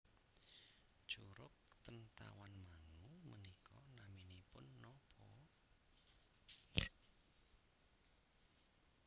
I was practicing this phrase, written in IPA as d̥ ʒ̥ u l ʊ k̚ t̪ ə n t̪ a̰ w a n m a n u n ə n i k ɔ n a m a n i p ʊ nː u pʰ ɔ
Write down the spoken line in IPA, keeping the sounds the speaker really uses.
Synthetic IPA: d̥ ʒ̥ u ɾ ʊ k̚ t̪ ə n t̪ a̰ w a n m a ŋ u m ə n i k ɔ n a m i n i p ʊ nː ɔ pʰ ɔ